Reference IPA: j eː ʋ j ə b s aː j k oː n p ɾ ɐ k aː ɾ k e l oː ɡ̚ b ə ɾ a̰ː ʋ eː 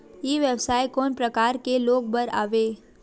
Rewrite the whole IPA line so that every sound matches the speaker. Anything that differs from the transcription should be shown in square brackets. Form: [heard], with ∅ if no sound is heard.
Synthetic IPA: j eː ʋ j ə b s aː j k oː n p ɾ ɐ k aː ɾ k e l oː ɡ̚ b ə ɾ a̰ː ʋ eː